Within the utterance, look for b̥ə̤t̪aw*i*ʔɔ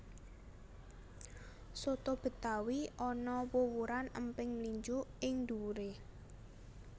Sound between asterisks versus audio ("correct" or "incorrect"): correct